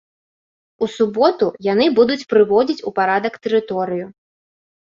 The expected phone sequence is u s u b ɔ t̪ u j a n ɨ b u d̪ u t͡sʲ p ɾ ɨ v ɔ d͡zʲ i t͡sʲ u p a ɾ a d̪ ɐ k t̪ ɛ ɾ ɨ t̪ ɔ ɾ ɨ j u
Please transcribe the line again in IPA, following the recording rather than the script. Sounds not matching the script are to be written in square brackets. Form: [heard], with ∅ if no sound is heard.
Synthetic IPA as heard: u s u b ɔ t̪ u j a n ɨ b u d̪ u t͡sʲ p ɾ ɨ v ɔ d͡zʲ i t͡sʲ u p a ɾ a d̪ ɐ k t̪ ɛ ɾ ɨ t̪ ɔ ɾ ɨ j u